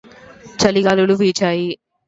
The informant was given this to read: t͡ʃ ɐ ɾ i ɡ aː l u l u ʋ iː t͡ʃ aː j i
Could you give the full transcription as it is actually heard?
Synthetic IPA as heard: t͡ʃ ɐ l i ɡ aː l u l u ʋ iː t͡ʃ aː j i